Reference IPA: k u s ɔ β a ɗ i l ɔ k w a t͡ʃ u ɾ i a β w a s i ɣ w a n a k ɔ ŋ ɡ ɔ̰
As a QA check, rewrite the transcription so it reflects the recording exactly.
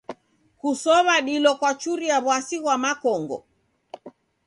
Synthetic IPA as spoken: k u s ɔ β a ɗ i l ɔ k w a t͡ʃ u ɾ i a β w a s i ɣ w a m a k ɔ ŋ ɡ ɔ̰